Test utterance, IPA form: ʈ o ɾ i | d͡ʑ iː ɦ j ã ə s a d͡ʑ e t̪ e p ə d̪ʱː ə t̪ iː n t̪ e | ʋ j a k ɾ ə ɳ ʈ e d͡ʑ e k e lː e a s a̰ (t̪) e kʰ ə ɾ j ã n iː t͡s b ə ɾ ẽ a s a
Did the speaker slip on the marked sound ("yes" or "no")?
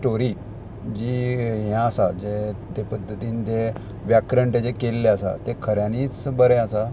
no